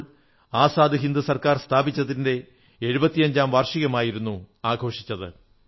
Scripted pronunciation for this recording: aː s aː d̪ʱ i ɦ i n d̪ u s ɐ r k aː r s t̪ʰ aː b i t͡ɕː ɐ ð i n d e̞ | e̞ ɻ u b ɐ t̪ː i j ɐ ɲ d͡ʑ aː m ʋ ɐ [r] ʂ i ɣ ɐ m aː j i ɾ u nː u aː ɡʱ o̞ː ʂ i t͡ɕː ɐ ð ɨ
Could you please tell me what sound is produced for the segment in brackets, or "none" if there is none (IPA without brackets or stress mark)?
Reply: r